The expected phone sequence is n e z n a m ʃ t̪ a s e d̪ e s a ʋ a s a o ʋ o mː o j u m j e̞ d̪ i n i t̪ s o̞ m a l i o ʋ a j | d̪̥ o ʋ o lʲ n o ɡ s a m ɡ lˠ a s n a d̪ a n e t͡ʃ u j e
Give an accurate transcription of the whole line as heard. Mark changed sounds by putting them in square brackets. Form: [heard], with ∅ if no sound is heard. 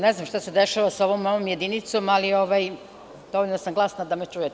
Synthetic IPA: n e z n a m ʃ t̪ a s e d̪ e [ʃ] a ʋ a s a o ʋ o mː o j [o] m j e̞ d̪ i n i t̪ s o̞ m a l i o ʋ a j | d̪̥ o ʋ o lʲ n o [∅] s a m ɡ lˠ a s n a d̪ a [m] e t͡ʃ u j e